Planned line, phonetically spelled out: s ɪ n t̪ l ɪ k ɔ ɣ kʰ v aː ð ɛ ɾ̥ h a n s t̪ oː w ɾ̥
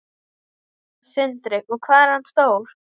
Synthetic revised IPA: s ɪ n t̪ ɾ ɪ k ɔ ɣ kʰ v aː ð ɛ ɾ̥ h a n s t̪ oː w ɾ̥